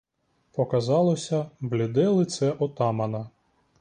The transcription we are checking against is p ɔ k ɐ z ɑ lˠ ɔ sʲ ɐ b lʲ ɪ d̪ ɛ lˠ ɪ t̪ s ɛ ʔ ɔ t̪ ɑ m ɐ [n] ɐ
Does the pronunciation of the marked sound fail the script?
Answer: no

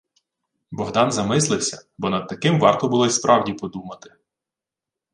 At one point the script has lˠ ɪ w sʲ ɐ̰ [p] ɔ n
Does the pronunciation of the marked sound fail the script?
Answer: yes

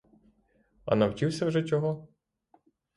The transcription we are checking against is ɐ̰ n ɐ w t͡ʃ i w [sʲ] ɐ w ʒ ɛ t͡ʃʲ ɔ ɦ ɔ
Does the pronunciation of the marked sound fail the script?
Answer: no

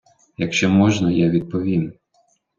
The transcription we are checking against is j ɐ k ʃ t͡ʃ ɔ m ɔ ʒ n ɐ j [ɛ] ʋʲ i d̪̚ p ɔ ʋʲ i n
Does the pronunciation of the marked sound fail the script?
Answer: yes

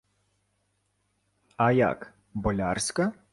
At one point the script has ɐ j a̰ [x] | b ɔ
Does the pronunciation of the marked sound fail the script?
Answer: yes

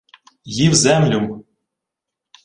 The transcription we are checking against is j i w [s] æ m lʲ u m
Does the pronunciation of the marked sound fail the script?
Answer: yes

